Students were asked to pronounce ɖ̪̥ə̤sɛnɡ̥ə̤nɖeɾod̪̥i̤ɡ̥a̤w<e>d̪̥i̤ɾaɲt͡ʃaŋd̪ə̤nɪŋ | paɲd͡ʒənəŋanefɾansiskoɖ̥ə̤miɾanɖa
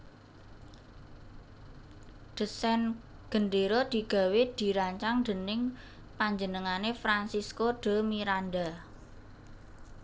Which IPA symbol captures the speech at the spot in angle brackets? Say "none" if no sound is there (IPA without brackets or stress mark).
e